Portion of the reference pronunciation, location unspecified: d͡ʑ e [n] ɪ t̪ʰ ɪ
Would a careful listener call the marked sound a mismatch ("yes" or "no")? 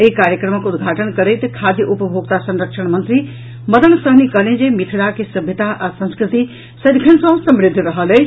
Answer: yes